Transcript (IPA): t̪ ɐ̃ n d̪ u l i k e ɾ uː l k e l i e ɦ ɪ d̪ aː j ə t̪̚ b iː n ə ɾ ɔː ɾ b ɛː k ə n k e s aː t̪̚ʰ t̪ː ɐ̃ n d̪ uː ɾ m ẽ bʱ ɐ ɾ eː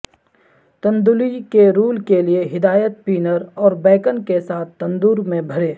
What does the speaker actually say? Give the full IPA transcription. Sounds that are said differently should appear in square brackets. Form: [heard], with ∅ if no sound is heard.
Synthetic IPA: t̪ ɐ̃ n d̪ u l i k e ɾ uː l k e l i e ɦ ɪ d̪ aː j ə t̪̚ [p] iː n ə ɾ ɔː ɾ b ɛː k ə n k e s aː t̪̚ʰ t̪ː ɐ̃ n d̪ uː ɾ m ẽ bʱ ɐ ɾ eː